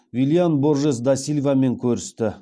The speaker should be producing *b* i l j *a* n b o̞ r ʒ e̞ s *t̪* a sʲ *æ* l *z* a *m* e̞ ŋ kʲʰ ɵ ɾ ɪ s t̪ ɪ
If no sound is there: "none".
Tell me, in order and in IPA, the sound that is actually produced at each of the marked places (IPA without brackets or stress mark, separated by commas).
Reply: v, a, d̪, i, v, m